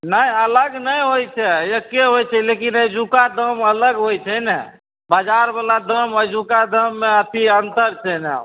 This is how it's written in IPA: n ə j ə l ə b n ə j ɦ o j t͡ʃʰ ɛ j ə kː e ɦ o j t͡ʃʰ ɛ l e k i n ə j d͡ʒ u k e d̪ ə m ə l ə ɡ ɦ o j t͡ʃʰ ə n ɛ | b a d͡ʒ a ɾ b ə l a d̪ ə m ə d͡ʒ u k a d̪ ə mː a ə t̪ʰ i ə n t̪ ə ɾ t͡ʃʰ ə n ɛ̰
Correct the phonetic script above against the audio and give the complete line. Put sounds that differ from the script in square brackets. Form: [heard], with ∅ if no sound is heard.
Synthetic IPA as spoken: n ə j ə l ə [ɡ] n ə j ɦ o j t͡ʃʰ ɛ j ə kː e ɦ o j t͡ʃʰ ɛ l e k i n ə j d͡ʒ u k [a] d̪ ə m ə l ə ɡ ɦ o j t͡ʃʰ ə n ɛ | b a d͡ʒ a ɾ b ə l a d̪ ə m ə d͡ʒ u k a d̪ ə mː [e] ə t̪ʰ i ə n t̪ ə ɾ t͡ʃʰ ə n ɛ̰